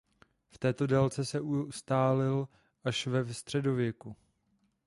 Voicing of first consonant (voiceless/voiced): voiceless